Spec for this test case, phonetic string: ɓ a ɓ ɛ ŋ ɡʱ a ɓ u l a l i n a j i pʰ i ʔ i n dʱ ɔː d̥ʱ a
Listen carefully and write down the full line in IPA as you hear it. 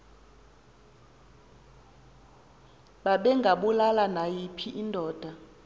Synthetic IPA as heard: ɓ a ɓ ɛ ŋ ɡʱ a ɓ u l a l a n a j i pʰ i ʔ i n dʱ ɔː d̥ʱ a